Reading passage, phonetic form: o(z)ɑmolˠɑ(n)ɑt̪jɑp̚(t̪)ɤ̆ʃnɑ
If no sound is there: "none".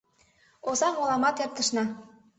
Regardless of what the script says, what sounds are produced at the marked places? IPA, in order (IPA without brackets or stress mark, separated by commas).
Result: z, m, t̪